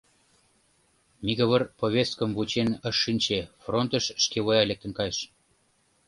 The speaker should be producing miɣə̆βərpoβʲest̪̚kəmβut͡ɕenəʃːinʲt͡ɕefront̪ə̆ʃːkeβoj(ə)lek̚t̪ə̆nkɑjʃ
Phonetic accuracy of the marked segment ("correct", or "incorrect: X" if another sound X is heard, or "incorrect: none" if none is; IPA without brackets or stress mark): incorrect: ɑ